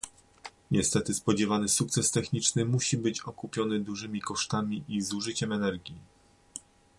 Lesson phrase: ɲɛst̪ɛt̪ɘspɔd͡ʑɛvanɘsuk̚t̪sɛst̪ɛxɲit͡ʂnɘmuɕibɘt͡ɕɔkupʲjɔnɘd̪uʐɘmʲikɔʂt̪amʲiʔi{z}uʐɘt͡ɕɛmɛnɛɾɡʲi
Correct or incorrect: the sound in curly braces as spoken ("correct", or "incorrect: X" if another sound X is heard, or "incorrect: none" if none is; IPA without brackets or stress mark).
correct